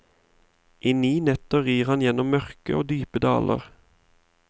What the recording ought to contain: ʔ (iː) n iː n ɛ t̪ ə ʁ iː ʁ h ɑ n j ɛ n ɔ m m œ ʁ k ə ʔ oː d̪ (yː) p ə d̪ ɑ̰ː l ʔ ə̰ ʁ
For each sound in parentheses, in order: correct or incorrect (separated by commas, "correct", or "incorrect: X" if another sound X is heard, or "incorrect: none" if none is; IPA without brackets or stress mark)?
correct, correct